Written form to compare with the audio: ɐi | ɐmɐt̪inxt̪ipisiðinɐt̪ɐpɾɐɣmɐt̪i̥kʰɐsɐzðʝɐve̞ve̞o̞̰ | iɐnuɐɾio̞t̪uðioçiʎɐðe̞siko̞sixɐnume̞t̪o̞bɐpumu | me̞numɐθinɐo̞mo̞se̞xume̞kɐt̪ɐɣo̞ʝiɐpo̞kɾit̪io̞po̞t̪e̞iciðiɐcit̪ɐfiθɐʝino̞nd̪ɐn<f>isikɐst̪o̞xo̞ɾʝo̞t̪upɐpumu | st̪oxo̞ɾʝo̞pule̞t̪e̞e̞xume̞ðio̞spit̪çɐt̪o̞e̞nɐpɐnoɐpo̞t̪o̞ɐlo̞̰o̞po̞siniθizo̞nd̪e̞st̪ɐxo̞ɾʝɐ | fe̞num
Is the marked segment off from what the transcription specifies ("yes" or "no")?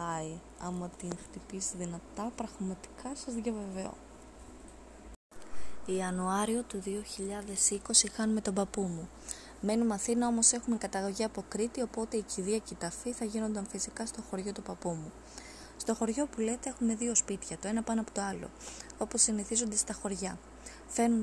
no